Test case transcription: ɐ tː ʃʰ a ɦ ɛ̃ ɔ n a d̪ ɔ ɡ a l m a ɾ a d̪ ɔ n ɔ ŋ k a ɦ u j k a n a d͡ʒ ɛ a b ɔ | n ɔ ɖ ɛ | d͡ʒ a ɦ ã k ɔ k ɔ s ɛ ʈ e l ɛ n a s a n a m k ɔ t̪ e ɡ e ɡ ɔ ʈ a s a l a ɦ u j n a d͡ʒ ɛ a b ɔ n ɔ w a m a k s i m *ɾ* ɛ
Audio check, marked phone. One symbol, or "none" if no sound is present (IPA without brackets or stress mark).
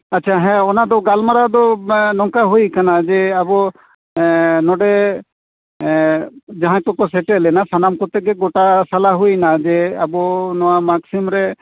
ɾ